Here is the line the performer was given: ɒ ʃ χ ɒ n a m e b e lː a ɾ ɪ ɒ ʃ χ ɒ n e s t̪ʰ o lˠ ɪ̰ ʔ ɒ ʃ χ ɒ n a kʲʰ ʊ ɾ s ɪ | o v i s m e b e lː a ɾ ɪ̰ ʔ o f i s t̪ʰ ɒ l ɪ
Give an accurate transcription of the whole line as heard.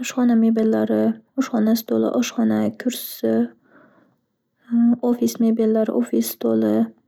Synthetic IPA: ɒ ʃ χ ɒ n a m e b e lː a ɾ ɪ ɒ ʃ χ ɒ n a s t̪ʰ o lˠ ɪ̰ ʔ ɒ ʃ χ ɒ n a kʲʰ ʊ ɾ s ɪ | o f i s m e b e lː a ɾ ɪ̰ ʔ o f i s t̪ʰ o l ɪ